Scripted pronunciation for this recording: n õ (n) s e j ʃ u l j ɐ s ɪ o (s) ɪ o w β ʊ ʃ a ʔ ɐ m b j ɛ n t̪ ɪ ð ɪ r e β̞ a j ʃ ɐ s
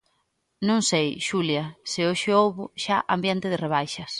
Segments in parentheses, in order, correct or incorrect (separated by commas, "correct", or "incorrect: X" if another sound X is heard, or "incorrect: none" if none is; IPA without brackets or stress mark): incorrect: ŋ, incorrect: ʃ